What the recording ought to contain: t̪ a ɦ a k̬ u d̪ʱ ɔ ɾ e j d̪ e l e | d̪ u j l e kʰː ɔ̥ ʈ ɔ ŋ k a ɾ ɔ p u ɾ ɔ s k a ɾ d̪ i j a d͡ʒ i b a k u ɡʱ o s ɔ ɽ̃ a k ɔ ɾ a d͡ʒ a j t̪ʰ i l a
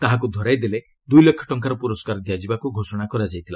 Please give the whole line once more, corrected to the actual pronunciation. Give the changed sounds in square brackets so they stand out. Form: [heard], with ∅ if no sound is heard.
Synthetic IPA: t̪ a ɦ a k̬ u d̪ʱ ɔ ɾ [a] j d̪ e l e | d̪ u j l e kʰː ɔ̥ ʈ ɔ ŋ k a ɾ ɔ p u ɾ ɔ s k a ɾ d̪ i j a d͡ʒ i b a k u ɡʱ o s ɔ ɽ̃ a k ɔ ɾ a d͡ʒ a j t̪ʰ i l a